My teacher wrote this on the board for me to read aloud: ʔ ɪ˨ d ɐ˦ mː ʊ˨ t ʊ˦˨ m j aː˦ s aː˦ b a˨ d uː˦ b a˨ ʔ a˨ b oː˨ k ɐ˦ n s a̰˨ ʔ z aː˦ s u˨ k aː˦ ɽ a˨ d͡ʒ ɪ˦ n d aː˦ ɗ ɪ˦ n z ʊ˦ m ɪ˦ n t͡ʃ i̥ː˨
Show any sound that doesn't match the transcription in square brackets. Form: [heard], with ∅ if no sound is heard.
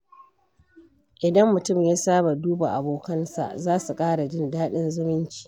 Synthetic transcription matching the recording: ʔ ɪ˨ d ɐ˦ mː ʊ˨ t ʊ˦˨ m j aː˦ s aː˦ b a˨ d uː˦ b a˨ ʔ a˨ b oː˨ k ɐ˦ n s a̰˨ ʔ z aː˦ s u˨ [kʼ] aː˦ ɽ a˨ d͡ʒ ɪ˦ n d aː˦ ɗ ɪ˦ n z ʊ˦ m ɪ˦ n t͡ʃ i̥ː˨